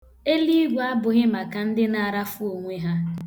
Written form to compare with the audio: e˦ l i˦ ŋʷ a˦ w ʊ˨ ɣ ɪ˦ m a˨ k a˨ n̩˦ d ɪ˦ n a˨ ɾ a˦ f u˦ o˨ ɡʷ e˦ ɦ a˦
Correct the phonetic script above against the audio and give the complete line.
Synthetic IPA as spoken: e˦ l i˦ ɡʷ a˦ b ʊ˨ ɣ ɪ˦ m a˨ k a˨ n̩˦ d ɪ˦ n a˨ ɾ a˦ f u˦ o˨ ŋʷ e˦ ɦ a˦